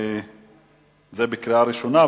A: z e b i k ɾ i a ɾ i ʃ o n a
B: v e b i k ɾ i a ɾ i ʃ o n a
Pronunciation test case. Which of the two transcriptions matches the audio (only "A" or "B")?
A